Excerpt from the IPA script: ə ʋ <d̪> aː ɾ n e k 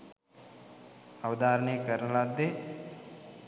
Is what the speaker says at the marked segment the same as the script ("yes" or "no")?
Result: yes